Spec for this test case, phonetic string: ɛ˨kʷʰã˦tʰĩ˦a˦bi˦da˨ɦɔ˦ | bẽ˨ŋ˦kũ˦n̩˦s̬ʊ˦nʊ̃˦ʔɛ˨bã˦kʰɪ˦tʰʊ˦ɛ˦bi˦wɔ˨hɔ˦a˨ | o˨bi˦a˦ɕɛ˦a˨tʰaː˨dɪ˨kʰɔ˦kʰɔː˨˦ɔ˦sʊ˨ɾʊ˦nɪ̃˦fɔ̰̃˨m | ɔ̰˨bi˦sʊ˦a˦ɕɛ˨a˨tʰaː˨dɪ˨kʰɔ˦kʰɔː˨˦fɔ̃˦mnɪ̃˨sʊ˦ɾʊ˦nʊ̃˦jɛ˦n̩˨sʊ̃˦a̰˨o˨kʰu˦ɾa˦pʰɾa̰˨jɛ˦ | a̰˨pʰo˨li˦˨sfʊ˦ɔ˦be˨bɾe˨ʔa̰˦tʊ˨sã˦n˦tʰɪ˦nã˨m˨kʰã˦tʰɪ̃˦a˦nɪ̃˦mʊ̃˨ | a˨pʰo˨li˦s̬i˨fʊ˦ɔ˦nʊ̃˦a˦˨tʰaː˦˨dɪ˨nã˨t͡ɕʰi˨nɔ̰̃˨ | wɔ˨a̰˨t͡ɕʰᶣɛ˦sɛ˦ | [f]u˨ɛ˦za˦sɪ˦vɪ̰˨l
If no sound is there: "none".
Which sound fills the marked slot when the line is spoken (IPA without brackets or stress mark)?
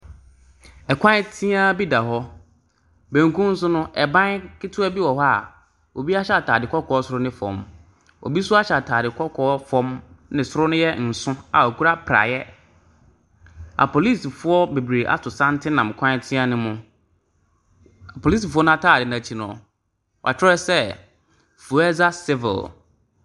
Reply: f